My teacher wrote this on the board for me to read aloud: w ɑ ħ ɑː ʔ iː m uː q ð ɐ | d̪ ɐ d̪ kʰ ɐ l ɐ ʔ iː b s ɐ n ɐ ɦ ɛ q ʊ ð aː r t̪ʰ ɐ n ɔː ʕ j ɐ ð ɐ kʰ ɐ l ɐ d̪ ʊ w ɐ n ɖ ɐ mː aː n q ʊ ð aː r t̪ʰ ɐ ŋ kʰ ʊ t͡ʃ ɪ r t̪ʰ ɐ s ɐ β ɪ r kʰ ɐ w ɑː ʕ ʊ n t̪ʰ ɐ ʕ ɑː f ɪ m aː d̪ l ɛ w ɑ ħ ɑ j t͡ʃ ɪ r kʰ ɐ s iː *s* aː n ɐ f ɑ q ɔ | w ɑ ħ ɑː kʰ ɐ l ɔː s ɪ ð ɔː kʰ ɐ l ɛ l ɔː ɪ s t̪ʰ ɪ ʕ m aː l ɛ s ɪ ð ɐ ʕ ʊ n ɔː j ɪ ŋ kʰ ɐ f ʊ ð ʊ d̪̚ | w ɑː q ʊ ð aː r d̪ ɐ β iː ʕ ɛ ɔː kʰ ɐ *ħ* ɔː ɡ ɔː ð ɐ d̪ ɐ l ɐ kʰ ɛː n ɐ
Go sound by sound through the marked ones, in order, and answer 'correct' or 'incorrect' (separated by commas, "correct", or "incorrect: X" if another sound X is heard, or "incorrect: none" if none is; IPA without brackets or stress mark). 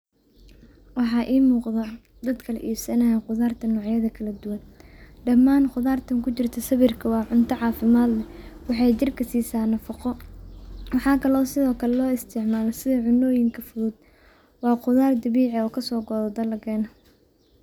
correct, incorrect: s